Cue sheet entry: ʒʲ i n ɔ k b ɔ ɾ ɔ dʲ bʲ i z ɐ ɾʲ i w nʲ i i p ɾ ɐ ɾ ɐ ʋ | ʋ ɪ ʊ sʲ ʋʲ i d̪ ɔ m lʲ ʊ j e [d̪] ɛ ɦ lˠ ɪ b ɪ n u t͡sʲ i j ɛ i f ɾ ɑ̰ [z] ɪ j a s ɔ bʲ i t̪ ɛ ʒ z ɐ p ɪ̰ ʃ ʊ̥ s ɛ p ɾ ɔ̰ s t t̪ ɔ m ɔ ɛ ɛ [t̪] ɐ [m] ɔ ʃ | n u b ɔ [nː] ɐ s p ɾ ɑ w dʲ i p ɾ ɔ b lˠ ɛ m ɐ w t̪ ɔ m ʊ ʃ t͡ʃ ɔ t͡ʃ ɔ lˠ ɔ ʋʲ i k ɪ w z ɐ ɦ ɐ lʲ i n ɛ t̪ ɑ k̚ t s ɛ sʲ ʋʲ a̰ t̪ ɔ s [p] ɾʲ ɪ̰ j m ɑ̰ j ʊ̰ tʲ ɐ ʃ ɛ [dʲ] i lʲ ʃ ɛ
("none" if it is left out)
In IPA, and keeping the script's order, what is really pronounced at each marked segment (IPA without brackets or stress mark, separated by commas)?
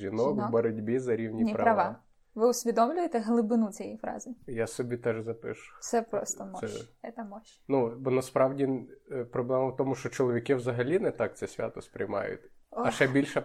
t̪, z, t̪, m, n, p, bʲ